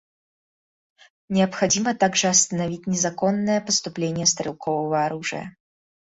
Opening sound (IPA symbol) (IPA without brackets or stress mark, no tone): nʲ